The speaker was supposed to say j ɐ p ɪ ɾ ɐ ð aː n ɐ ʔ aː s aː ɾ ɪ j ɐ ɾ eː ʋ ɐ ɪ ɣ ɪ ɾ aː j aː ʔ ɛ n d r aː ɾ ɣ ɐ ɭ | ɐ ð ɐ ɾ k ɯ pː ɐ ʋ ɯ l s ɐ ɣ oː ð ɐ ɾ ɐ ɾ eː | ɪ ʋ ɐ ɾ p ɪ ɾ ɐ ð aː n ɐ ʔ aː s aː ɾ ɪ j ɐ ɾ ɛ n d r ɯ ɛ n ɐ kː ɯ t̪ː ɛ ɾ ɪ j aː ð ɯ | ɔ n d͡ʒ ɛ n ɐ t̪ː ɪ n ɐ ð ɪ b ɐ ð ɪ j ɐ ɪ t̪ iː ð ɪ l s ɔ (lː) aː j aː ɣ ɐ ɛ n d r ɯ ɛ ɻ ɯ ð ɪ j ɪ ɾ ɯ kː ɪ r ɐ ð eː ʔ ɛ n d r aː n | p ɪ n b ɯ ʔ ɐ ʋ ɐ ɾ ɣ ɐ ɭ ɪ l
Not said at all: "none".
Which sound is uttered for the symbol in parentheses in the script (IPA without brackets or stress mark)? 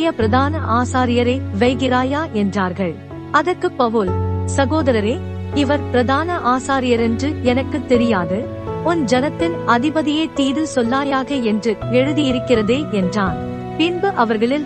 lː